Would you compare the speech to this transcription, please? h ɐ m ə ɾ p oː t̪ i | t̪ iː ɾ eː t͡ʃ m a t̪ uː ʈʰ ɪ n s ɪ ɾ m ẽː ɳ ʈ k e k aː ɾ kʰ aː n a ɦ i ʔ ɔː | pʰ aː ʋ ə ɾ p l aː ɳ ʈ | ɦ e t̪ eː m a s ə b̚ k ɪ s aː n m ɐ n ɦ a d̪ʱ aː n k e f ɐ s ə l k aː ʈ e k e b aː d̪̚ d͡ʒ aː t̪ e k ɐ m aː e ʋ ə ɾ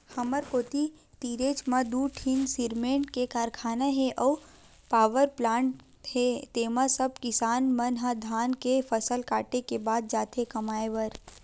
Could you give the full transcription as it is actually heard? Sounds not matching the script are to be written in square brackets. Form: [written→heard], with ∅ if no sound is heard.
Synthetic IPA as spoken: h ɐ m ə ɾ [p→k] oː t̪ i | t̪ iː ɾ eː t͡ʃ m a [t̪→d̪] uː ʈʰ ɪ n s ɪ ɾ m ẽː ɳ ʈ k e k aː ɾ kʰ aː n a ɦ [i→e] ʔ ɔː | [pʰ→p] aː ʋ ə ɾ p l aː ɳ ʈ | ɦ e t̪ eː m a s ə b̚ k ɪ s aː n m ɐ n ɦ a d̪ʱ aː n k e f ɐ s ə l k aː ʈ e k e b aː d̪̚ d͡ʒ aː t̪ e k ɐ m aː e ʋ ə ɾ